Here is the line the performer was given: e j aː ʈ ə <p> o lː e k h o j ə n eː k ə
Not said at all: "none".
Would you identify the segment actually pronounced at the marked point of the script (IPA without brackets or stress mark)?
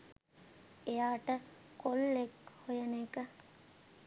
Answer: k